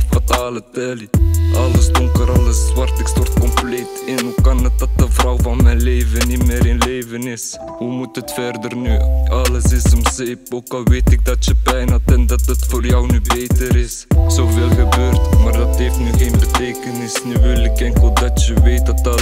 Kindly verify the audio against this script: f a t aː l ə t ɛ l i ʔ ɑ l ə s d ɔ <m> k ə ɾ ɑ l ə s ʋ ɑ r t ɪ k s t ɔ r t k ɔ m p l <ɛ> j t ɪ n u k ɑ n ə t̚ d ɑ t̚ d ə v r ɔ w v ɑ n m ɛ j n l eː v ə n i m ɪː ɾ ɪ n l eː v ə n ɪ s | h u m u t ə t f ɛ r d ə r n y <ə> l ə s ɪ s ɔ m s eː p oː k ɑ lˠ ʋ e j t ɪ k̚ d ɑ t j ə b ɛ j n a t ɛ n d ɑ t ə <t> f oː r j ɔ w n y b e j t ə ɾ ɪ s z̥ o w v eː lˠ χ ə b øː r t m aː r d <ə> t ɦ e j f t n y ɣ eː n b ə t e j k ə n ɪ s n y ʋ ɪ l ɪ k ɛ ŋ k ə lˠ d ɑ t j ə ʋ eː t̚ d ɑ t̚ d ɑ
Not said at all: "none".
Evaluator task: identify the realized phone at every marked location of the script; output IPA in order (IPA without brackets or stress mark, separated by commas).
ŋ, e, ɑ, t, ɑ